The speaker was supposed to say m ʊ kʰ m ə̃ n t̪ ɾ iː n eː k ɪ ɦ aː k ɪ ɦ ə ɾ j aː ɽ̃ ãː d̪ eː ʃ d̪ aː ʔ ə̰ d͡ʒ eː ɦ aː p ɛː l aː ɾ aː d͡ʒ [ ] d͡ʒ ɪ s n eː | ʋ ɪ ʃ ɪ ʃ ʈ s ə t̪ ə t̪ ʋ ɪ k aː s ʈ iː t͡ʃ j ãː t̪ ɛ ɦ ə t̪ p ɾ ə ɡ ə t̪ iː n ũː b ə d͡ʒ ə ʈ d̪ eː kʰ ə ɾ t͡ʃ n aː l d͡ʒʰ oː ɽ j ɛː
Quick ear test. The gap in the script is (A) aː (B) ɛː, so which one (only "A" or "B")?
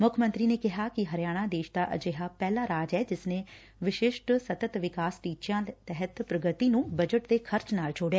B